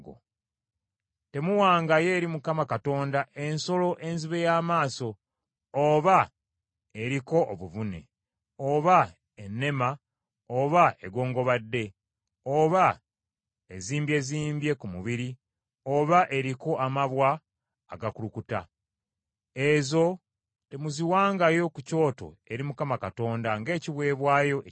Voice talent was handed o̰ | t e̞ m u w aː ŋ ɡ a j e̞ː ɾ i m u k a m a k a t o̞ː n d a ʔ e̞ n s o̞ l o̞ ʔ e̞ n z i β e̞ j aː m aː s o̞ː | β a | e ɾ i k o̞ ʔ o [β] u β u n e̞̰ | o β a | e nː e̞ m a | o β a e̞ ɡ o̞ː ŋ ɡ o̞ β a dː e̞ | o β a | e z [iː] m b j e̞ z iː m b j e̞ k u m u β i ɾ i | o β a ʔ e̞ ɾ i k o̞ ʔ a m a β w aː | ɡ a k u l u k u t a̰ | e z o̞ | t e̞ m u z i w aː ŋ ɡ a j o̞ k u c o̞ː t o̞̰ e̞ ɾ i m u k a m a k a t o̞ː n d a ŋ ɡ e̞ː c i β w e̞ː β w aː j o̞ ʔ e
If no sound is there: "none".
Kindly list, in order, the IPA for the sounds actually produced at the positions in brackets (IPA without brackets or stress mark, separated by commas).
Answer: β, iː